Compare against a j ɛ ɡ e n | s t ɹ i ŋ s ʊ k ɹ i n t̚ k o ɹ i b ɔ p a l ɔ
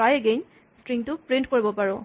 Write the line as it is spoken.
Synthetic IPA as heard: a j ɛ ɡ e n | s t ɹ i ŋ t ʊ p ɹ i n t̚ k o ɹ i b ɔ p a ɹ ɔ